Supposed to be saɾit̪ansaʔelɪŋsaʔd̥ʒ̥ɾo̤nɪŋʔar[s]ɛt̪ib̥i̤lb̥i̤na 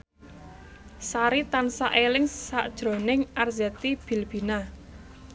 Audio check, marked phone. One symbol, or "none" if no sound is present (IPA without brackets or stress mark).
z